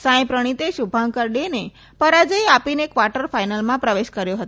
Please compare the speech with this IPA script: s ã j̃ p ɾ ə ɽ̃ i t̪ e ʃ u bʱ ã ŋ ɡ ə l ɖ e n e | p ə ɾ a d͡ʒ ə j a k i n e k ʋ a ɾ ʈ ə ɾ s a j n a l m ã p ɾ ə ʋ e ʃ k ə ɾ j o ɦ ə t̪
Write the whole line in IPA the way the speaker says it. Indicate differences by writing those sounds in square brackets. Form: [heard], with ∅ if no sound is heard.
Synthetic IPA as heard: s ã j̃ p ɾ ə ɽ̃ i t̪ e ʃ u bʱ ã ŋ [k] ə [ɾ] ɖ e n e | p ə ɾ a d͡ʒ ə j a [p] i n e k ʋ a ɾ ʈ ə ɾ [f] a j n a l m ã p ɾ ə ʋ e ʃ k ə ɾ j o ɦ ə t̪